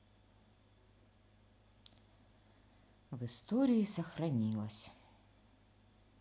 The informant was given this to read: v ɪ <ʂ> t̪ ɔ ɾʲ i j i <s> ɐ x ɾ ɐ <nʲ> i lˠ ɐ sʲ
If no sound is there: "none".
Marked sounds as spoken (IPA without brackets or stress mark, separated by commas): s, s, nʲ